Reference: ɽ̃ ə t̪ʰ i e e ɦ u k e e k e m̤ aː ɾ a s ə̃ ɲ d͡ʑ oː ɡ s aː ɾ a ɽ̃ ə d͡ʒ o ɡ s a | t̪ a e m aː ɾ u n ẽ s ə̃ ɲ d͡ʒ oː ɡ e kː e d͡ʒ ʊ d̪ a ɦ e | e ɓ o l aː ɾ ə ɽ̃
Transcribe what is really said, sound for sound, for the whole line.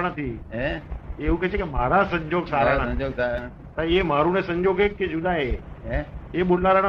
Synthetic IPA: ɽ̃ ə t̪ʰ i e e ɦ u k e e k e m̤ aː ɾ a s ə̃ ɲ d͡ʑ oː ɡ s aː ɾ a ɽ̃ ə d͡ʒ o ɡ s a | t̪ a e m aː ɾ u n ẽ s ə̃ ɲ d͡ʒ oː ɡ e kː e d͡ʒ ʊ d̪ a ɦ e | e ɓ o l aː ɾ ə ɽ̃